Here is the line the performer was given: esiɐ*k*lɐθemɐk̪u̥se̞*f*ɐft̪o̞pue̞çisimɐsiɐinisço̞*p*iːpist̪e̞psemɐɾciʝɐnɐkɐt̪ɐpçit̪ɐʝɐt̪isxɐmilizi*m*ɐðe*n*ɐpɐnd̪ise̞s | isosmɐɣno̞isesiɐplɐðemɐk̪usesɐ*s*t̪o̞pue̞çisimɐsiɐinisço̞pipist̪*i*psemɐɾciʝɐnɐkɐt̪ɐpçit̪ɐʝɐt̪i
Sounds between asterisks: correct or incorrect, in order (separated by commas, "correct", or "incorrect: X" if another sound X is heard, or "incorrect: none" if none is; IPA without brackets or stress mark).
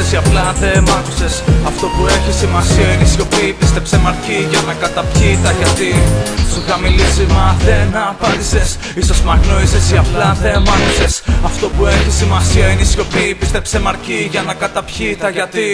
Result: incorrect: p, incorrect: s, correct, correct, correct, incorrect: f, incorrect: e